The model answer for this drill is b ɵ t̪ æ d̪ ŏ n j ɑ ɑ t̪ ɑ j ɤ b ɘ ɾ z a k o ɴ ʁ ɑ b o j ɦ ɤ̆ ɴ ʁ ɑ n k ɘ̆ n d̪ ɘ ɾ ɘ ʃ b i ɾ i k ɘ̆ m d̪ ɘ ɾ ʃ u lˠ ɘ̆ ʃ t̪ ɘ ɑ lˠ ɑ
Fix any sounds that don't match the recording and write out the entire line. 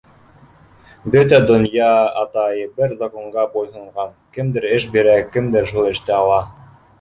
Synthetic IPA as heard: b ɵ t̪ æ d̪ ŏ n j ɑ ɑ t̪ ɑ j ɤ b ɘ ɾ z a k o ɴ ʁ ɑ b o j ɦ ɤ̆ ɴ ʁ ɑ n k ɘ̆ m d̪ ɘ ɾ ɘ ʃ b i ɾ æ k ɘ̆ m d̪ ɘ ɾ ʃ u lˠ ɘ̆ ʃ t̪ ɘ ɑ lˠ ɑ